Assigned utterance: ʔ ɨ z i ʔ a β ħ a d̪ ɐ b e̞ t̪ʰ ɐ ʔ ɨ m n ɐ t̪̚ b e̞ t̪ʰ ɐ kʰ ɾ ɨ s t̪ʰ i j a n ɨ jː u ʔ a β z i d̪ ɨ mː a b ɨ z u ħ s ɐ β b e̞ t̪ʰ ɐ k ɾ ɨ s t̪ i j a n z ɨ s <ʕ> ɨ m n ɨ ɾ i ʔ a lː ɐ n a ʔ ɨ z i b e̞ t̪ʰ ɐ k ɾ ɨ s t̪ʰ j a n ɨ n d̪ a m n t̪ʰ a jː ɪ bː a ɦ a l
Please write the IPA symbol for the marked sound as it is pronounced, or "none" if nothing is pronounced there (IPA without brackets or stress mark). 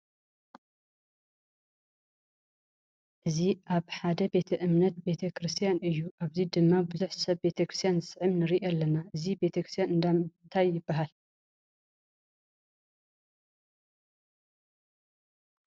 ʕ